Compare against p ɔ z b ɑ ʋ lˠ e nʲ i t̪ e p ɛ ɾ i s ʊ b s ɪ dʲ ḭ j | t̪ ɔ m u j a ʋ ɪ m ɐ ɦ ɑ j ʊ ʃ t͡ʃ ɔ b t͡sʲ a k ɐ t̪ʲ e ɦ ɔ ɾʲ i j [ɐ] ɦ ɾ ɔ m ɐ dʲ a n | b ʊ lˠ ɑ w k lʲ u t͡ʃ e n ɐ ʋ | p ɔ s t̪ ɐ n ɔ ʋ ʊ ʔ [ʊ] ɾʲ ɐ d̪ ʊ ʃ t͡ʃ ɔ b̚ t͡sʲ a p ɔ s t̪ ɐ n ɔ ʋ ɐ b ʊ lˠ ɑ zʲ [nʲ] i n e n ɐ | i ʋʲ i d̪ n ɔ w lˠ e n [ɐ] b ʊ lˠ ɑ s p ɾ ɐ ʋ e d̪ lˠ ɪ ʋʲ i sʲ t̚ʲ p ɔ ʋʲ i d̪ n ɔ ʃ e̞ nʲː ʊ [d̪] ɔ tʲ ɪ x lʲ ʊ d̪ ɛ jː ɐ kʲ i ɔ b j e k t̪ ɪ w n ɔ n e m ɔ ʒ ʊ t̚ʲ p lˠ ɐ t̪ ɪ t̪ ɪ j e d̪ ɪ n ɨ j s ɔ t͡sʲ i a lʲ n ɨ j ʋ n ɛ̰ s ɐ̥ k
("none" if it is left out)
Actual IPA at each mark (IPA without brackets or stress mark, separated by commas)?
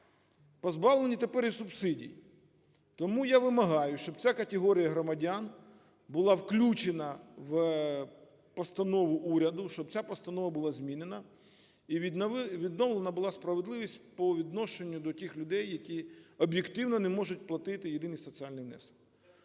ɐ, u, mʲ, ɐ, d̪